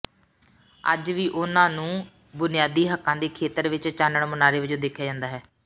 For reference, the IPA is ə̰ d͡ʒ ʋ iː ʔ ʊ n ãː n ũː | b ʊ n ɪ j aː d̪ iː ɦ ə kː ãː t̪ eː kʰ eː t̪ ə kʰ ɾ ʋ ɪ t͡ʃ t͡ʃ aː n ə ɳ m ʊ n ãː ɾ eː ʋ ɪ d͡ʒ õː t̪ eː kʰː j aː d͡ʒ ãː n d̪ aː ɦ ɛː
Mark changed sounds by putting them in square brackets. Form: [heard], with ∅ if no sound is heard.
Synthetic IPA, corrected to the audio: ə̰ d͡ʒ ʋ iː ʔ ʊ n ãː n ũː | b ʊ n ɪ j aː d̪ iː ɦ ə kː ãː [d̪] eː kʰ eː t̪ ə [∅] ɾ ʋ ɪ t͡ʃ t͡ʃ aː n ə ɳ m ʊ n [aː] ɾ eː ʋ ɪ d͡ʒ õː [d̪] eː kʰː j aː d͡ʒ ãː n d̪ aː ɦ ɛː